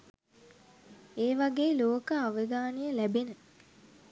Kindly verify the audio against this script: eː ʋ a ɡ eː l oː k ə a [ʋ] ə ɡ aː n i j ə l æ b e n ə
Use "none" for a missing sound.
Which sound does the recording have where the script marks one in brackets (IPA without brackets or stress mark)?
ʋ